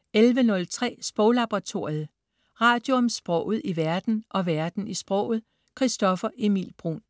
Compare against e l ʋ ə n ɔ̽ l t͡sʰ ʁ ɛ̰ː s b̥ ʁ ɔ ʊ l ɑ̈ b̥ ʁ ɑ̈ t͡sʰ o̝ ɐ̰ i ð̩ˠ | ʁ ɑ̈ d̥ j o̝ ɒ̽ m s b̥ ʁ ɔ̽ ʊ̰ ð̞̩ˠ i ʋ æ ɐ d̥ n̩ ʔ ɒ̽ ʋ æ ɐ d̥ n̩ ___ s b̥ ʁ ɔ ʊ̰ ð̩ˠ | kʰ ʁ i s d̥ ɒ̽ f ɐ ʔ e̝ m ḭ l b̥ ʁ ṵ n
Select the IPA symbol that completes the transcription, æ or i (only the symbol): i